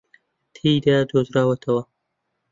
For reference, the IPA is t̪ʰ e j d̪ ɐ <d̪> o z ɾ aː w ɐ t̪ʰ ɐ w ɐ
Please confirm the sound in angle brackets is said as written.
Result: yes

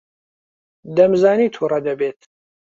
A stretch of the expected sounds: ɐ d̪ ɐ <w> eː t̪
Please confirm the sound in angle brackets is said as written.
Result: no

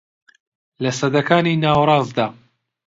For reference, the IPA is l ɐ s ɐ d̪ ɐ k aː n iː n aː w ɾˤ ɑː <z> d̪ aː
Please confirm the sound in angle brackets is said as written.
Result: yes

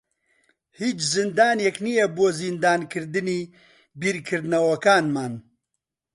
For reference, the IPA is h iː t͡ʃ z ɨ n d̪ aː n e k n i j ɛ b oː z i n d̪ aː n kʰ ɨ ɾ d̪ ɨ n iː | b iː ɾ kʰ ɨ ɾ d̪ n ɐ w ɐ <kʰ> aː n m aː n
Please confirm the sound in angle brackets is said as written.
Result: no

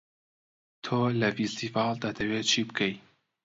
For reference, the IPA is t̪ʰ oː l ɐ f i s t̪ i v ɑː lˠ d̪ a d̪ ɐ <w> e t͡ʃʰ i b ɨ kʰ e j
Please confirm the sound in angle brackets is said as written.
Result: yes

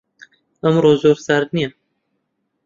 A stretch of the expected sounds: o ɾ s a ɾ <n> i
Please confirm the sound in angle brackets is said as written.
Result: yes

